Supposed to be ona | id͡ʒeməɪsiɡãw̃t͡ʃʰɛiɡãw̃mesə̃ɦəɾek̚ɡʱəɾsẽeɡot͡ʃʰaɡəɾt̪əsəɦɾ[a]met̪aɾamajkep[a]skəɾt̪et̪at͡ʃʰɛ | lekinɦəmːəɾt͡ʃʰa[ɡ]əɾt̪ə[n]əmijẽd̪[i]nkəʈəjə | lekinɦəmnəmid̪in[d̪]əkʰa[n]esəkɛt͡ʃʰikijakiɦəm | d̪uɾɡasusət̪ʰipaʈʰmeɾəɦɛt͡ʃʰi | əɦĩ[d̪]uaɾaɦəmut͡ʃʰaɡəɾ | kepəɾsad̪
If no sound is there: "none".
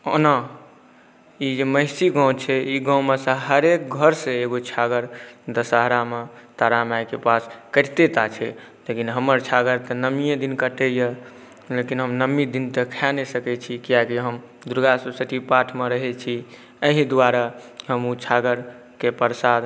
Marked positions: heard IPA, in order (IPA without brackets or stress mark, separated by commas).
a, a, ɡ, n, i, t̪, n, d̪